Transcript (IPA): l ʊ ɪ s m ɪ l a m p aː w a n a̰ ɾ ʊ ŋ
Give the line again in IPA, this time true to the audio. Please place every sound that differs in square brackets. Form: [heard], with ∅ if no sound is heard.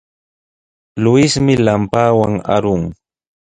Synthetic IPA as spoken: l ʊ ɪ s m ɪ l a m p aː w a [ŋ] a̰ ɾ ʊ ŋ